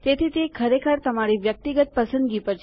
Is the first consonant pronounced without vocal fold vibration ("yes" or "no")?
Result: yes